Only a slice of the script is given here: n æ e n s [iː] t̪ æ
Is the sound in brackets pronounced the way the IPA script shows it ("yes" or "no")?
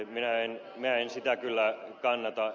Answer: no